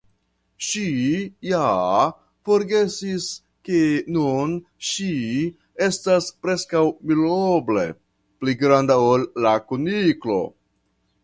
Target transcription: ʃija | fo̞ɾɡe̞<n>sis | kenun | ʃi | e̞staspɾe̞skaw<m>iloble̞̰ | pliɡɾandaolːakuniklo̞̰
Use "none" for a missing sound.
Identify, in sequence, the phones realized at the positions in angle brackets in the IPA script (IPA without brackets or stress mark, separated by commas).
none, m